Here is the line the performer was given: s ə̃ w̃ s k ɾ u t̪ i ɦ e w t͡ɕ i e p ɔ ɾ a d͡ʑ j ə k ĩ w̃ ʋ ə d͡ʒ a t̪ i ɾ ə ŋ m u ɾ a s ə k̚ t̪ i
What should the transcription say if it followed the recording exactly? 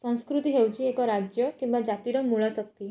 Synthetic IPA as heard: s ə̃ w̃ s k ɾ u t̪ i ɦ e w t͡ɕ i e k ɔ ɾ a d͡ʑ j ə k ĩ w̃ ʋ a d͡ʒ a t̪ i ɾ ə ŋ m u ɭ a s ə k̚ t̪ i